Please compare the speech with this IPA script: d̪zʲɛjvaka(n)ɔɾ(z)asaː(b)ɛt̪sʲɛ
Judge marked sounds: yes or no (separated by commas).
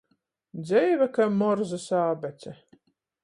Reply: no, yes, yes